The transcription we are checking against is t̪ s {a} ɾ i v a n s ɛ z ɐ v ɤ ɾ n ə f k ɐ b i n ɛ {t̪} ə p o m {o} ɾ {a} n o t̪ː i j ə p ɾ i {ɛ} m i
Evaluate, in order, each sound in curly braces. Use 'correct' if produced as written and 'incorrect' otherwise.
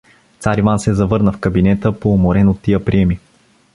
correct, correct, correct, incorrect: ɛ, correct

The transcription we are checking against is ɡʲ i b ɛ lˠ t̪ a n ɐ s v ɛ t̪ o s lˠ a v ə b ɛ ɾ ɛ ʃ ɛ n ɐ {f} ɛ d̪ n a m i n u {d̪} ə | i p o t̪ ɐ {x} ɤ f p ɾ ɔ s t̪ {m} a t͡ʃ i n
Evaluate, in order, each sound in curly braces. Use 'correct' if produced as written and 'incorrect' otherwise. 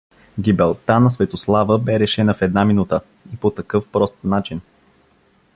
correct, incorrect: t̪, incorrect: k, incorrect: n

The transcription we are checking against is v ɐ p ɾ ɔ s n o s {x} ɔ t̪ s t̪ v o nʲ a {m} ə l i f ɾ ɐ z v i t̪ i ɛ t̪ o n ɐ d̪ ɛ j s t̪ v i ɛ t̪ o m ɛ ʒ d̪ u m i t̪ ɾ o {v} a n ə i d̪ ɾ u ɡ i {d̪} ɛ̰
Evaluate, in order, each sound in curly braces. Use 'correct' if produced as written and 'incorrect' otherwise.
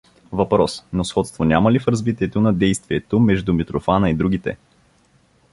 correct, correct, incorrect: f, incorrect: t̪

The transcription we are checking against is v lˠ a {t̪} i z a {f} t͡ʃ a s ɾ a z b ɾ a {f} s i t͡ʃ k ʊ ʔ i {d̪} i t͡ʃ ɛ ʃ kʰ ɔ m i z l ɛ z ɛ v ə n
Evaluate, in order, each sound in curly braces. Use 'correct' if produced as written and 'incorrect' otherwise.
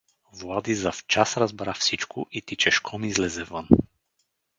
incorrect: d̪, correct, correct, incorrect: t̪

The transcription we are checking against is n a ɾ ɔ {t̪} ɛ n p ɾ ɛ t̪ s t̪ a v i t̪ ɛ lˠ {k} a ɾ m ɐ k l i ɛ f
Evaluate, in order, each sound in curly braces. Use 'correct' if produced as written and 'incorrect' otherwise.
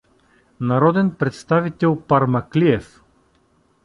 incorrect: d̪, incorrect: p

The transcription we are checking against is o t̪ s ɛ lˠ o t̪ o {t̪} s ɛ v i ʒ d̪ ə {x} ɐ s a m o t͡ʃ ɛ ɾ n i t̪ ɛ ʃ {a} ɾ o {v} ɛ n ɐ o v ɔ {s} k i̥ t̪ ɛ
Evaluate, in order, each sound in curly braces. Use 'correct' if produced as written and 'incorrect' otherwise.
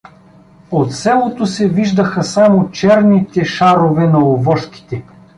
incorrect: none, correct, correct, correct, incorrect: ʃ

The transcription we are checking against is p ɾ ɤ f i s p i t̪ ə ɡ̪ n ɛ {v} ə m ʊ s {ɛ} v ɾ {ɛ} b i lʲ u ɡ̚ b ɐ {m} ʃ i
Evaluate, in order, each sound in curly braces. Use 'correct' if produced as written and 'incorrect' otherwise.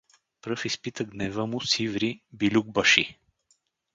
correct, incorrect: i, incorrect: i, incorrect: none

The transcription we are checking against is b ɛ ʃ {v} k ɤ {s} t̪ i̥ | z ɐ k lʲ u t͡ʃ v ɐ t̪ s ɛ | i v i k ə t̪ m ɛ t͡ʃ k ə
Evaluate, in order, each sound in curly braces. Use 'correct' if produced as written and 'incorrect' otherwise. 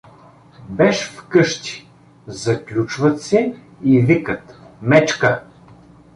incorrect: f, incorrect: ʃ

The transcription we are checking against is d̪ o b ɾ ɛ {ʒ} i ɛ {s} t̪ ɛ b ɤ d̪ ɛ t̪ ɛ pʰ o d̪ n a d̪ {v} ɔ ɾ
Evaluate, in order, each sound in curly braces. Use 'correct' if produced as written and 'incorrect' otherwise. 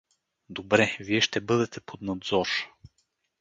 incorrect: v, incorrect: ʃ, incorrect: z

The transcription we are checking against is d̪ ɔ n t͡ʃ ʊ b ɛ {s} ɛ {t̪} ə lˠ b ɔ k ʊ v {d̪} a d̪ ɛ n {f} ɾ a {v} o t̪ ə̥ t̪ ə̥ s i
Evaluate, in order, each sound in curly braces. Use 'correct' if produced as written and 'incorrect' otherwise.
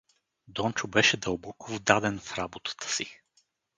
incorrect: ʃ, incorrect: d̪, correct, correct, incorrect: b

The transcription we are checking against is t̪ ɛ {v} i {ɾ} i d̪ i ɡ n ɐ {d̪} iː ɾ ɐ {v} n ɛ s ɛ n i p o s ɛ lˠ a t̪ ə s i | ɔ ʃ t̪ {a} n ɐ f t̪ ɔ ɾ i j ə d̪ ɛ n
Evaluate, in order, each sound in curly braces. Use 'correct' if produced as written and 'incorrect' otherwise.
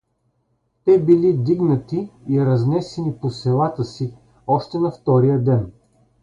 incorrect: b, incorrect: l, incorrect: t̪, incorrect: z, incorrect: ɛ

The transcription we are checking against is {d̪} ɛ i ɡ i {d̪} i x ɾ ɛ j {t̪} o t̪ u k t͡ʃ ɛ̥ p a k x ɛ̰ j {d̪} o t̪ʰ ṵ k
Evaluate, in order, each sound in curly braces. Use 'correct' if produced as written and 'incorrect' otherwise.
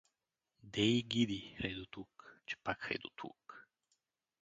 correct, correct, incorrect: d̪, correct

